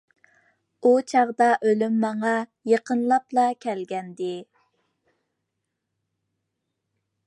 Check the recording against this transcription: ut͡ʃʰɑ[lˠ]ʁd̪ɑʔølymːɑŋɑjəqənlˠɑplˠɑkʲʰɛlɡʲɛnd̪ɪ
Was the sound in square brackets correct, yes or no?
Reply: no